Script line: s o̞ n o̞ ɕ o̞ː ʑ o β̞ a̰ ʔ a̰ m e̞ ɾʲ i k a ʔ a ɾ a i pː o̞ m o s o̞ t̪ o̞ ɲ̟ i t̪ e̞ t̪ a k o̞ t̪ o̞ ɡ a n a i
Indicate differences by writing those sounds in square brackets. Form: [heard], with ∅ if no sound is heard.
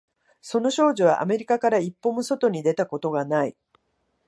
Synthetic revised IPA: s o̞ n o̞ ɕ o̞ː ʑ o β̞ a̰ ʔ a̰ m e̞ ɾʲ i k a [k] a ɾ a i pː o̞ m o s o̞ t̪ o̞ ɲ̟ i [d̪] e̞ t̪ a k o̞ t̪ o̞ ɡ a n a i